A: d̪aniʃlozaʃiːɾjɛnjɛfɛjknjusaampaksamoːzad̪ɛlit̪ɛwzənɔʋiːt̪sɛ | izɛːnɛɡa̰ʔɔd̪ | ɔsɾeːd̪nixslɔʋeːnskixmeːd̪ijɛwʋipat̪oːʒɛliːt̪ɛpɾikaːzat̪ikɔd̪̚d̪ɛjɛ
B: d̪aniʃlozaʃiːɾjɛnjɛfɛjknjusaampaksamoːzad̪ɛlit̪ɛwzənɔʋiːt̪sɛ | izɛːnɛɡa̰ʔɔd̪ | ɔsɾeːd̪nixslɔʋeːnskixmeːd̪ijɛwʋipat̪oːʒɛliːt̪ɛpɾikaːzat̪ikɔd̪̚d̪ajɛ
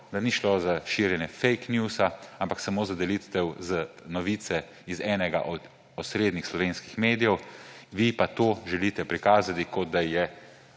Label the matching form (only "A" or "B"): B